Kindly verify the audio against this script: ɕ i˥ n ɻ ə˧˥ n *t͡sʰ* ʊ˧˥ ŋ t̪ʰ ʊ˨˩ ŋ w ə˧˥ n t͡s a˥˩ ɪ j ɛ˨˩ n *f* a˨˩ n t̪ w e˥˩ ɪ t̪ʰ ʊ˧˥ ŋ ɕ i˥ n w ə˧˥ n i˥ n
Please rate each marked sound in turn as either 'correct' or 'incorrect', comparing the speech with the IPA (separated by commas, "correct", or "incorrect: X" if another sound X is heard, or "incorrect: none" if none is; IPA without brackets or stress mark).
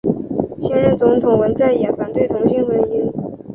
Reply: incorrect: t͡s, correct